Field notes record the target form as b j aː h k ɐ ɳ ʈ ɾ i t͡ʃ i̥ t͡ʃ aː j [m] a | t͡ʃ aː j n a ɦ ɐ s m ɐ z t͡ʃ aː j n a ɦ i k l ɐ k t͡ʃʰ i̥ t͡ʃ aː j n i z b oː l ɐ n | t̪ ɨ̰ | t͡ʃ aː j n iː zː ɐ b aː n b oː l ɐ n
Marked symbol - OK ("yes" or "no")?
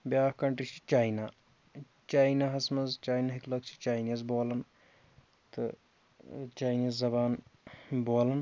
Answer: no